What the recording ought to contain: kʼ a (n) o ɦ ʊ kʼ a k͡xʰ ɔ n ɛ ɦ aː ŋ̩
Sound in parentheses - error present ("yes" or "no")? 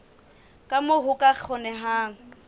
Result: yes